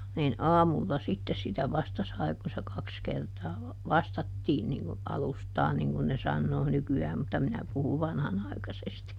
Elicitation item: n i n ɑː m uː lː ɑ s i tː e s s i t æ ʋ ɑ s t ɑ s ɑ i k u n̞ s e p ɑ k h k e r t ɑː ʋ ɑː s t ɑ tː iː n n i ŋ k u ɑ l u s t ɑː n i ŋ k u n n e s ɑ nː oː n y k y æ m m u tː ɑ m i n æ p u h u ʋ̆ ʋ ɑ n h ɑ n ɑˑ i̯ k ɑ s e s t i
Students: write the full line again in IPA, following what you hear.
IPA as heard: n i n ɑː m u lː ɑ s i tː e s s i t æ ʋ ɑ s t ɑ s ɑ i k u n̞ s e k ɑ k s k e r t ɑː ʋ ɑ s t ɑ tː iː n n i ŋ k u ɑ l u s t ɑː n i ŋ k u n n e s ɑ nː oː n y k y æː m m u tː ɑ m i n æ p u h u ʋ̆ ʋ ɑ n h ɑ n ɑˑ i̯ k ɑ s e s t i

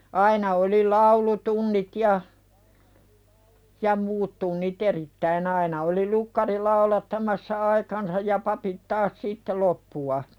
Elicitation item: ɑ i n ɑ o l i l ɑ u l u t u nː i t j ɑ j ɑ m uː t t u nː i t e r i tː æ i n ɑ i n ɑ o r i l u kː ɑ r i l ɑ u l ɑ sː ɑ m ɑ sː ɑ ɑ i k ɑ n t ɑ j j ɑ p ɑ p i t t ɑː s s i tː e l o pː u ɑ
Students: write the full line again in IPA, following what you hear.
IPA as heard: ɑ i n ɑ o l i l ɑ u l u t u nː i t j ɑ j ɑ m uː t t u nː i t e r i tː æ i n ɑ i n ɑ o l i l u kː ɑ r i l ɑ u l ɑ tː ɑ m ɑ sː ɑ ɑ i k ɑ n s ɑ j j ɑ p ɑ p i t t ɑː s s i tː e l o pː u ɑ

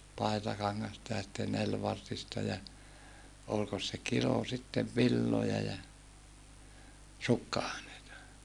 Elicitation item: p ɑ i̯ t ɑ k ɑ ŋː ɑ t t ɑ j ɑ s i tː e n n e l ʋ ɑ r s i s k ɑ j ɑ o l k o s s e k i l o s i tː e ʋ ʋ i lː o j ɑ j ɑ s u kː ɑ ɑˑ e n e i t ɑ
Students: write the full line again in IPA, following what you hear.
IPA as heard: p ɑ i̯ t ɑ k ɑ ŋː ɑ s t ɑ j ɑ s i tː e n n e l ʋ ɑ r t i s t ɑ j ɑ o l k o s s e k i l o s i tː e ʋ ʋ i lː o j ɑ j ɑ s u kː ɑ ɑˑ e n e i t ɑ

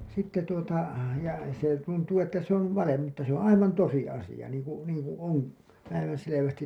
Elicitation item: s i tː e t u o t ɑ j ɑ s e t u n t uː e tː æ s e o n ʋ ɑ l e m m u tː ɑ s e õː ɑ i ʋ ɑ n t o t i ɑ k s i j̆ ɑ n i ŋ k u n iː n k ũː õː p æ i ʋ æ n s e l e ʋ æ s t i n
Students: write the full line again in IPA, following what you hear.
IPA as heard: s i tː e t u o t ɑ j ɑ s e t u n t uː e tː æ s e o n ʋ ɑ l e m m u tː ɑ s e õː ɑ i ʋ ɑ n t o s i ɑ s i j̆ ɑ n iː ŋ k u n iː ŋ k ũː õː p æ i ʋ æ n s e l e ʋ æ s t i n

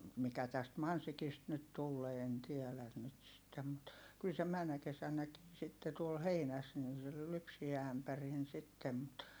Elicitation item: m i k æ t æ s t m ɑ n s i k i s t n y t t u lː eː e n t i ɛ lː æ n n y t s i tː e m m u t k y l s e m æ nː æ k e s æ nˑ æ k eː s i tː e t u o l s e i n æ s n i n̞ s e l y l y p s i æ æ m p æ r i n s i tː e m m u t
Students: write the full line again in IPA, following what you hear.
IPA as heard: m i k æ t æ s t m ɑ n s i k i s t n y t t u lː eː e n t i ɛ l æ n n y t s i tː e m m u t k y l s e m æ nː æ k e s æ nˑ æ k iː s i tː e t u o l h e i n æ s n i n̞ s e l y l y p s i æ æ m p æ r i n s i tː e m m u t

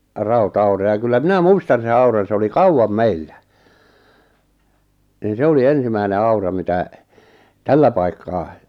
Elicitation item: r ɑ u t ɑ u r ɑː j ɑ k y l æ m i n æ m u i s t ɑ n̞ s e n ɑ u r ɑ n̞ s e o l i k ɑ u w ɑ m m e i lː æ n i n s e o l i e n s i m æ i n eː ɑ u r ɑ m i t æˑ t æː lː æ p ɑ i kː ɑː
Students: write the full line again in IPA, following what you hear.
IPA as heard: r ɑ u t ɑ u r ɑ j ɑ k y lː æ m i n æ m u i s t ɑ n̞ s e n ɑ u r ɑ n̞ s e o l i k ɑ u w ɑ m m e i lː æ n i n s e o l i e n s i m æ i n e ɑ u r ɑ m i t æˑ t æ lː æ p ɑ i kː ɑː

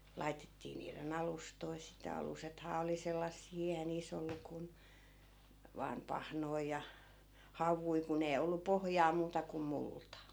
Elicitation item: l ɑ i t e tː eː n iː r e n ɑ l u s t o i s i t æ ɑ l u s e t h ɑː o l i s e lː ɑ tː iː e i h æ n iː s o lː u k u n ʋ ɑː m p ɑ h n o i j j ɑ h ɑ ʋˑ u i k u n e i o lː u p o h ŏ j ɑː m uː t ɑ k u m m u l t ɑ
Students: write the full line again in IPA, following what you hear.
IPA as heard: l ɑ i t e tː iː n iː r e n ɑ l u s t o i s i t æ ɑ l u s e t h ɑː o l i s e lː ɑ sː iː e i h æ n iː s o lː u k u n ʋ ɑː m p ɑ h n o i j j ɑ h ɑ ʋˑ u i k u n e i o lː u p o h ŏ j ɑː m uː t ɑ k u m m u l t ɑ

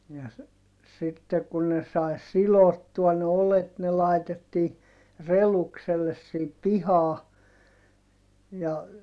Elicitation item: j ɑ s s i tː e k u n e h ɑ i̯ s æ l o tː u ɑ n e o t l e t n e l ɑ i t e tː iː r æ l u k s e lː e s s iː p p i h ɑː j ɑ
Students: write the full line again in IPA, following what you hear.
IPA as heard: j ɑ s s i tː e k u n e s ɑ i̯ s i l o tː u ɑ n e o l e t n e l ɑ i t e tː iː r e l u k s e lː e s s iː p p i h ɑː j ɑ

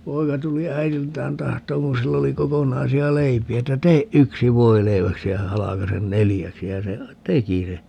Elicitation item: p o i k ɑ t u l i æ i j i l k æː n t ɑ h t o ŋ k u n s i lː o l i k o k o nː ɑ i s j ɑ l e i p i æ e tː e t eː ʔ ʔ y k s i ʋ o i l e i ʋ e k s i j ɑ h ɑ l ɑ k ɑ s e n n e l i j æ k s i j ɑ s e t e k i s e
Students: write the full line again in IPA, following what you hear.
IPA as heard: p o i k ɑ t u l i æ i j i l t æː n t ɑ h t oː ŋ k u n s i lː o l i k o k o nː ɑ i s i ɑ l e i p i æ e tː æ t eː ʔ ʔ y k s i ʋ o i l e i ʋ æ k s i j ɑ h ɑ l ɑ k ɑ s e n n e l i j æ k s i j ɑ s e t e k i s e

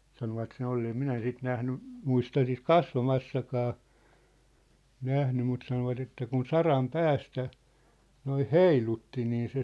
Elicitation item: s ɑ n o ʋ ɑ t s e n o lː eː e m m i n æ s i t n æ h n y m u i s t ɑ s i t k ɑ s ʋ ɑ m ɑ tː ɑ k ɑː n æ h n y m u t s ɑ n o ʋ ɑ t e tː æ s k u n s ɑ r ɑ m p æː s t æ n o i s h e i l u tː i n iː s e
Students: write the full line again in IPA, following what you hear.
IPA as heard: s ɑ n o ʋ ɑ t s e n o lː eː e m m i n æ s i t n æ h n y m u i s t ɑ s i t k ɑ s ʋ ɑ m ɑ sː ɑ k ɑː n æ h n y m u t s ɑ n o ʋ ɑ t e tː æ k u n s ɑ r ɑ m p æː s t æ n o i h h e i l u tː i n iː s e

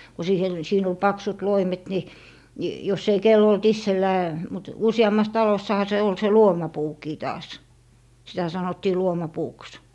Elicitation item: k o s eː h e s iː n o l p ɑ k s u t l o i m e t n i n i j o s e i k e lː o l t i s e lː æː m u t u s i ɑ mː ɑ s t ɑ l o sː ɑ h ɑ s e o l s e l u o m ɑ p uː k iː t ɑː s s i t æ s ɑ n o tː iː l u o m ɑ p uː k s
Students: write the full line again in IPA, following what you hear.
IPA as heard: k o s iː h e s iː n o l p ɑ k s u t l o i m e t n i n i j o s e i k e lː o l t i sː e lː æː m u t u s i ɑ mː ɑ s t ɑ l o sː ɑ h ɑ s e o l s e l u o m ɑ p uː k iː t ɑː s s i t æ s ɑ n o tː iː l u o m ɑ p uː k s

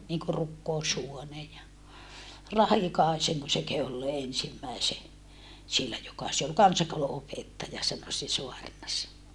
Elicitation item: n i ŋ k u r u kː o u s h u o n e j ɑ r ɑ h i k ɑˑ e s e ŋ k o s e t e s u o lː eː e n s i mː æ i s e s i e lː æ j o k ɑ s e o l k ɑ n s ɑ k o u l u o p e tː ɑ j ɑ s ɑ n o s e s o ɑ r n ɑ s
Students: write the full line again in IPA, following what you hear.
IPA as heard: n i ŋ k u r u kː o u s h u o n e j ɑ r ɑ h i k ɑˑ e s e ŋ k o s e k e h u o lː eː e n s i mː æ i s e s i e lː æ j o k ɑ s e o l k ɑ n s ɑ k o u l u o p e tː ɑ j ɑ s ɑ n o s e s o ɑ r n ɑ s

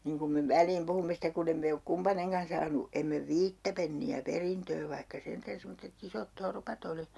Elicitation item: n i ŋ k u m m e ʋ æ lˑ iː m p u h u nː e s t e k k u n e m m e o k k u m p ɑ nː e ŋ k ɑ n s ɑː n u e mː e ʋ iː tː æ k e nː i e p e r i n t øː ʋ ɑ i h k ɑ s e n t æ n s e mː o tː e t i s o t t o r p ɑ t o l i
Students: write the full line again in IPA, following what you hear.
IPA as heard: n i ŋ k u m m e ʋ æ lˑ iː m p u h u mː e s t e k k u n e m m e o k k u m p ɑ n e ŋ k ɑ n s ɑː n u e mː e ʋ iː tː æ p e nː i æ p e r i n t øː ʋ ɑ i h k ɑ s e n t æ n s e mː o tː e t i s o t t o r p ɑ t o l i

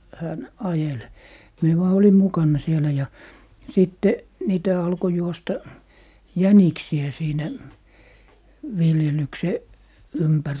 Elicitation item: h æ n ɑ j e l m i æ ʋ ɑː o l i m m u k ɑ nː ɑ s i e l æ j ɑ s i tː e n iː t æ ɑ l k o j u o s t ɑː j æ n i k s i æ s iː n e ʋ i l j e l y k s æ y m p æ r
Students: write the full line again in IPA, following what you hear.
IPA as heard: h æ n ɑ j e l m i e ʋ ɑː o l i m m u k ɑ nː ɑ s i e l æ j ɑ s i tː e n iː t æ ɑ l k o j u o s t ɑ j æ n i k s i æ s iː n æ ʋ i l j e l y k s e y m p æ r

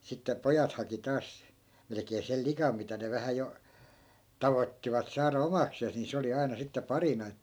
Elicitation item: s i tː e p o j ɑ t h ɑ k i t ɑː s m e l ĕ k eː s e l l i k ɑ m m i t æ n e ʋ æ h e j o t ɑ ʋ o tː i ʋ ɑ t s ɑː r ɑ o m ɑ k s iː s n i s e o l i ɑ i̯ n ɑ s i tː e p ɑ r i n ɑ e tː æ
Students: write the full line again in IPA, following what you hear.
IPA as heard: s i tː e p o j ɑ t h ɑ k i t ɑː s m e l ĕ k eː s e l l i k ɑ m m i t æ n e ʋ æ h æ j o t ɑ ʋ o tː i ʋ ɑ t s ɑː r ɑ o m ɑ k s eː s n i s e o l i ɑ i̯ n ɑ s i tː e p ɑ r i n ɑ e tː æ

